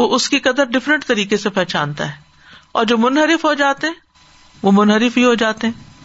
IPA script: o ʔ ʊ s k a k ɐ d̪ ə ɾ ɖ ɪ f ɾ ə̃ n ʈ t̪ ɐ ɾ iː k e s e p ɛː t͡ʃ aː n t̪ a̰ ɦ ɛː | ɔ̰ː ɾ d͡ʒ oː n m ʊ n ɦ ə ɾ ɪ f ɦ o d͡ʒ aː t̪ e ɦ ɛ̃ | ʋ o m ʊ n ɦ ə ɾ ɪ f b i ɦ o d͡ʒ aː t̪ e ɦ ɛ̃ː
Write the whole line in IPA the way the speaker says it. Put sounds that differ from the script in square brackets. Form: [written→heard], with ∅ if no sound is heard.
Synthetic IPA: o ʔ ʊ s k [a→i] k ɐ d̪ ə ɾ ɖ ɪ f ɾ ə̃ [n→ɳ] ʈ t̪ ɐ ɾ iː k e s e p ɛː t͡ʃ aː n t̪ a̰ ɦ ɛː | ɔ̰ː ɾ d͡ʒ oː [n→∅] m ʊ n ɦ ə ɾ ɪ f ɦ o d͡ʒ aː t̪ e ɦ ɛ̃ | ʋ o m ʊ n ɦ ə ɾ ɪ f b i ɦ o d͡ʒ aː t̪ e ɦ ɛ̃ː